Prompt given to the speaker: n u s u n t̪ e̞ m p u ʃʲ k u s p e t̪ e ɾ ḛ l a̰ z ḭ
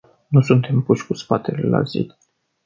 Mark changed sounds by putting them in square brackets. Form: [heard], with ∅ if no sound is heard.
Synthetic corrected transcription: n u s u n t̪ e̞ m p u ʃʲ k u s p [a] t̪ e [l] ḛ l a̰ z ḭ